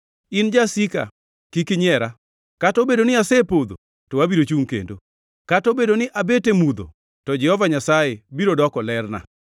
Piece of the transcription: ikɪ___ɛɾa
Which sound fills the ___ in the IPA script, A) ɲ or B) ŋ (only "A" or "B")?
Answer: A